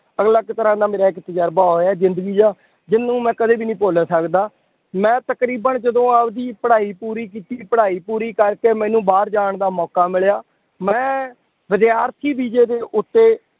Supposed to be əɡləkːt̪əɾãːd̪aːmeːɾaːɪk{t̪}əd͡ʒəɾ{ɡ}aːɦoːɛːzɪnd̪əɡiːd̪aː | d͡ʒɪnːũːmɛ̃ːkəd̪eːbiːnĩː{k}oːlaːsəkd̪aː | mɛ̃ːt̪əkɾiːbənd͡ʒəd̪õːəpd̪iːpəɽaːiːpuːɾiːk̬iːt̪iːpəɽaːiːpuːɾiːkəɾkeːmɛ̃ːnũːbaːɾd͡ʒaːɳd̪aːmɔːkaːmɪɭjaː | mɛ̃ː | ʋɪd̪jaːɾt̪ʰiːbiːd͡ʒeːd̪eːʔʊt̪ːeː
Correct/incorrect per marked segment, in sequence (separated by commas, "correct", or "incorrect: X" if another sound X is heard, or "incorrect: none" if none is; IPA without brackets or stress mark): correct, incorrect: b, incorrect: p